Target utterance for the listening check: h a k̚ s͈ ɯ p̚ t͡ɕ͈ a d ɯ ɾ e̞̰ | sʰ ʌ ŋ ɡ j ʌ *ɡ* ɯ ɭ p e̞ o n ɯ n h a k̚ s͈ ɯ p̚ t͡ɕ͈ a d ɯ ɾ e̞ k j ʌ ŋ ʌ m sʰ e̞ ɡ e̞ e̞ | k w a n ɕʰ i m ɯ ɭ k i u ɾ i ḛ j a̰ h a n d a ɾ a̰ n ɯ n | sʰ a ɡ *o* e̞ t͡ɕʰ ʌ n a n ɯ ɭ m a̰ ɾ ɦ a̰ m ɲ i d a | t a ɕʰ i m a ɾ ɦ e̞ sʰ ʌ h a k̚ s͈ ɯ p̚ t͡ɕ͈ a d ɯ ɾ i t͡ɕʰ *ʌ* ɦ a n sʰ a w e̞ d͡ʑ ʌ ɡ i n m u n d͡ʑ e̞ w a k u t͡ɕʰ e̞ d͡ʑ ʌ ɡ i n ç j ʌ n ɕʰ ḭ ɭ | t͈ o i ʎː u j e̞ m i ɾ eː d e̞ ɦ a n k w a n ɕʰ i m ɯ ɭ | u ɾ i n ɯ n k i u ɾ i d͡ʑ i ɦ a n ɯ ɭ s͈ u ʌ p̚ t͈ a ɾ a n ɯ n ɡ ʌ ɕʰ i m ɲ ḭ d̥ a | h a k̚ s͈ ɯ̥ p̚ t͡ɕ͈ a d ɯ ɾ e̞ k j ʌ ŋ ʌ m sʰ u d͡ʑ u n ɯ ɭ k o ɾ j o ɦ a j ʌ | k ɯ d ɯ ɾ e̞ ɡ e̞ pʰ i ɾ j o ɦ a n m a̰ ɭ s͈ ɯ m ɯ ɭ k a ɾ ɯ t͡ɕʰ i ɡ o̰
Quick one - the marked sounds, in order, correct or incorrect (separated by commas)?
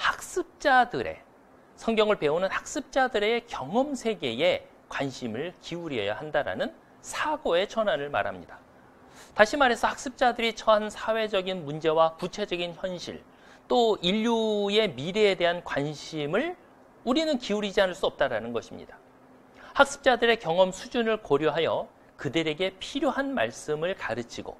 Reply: incorrect, correct, correct